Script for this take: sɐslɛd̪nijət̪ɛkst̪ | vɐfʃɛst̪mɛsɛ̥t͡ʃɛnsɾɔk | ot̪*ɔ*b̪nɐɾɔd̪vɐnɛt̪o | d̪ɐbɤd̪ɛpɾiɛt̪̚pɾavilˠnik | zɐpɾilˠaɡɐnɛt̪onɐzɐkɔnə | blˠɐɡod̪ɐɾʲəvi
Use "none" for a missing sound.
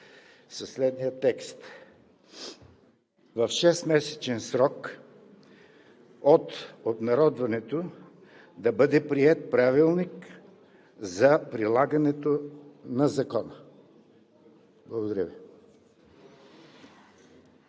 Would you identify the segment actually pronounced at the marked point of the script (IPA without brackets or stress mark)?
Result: o